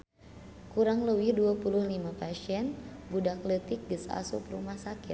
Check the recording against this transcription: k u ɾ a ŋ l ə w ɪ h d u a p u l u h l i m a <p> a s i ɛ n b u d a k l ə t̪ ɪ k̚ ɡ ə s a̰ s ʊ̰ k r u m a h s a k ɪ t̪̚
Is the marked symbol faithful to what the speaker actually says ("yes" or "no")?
yes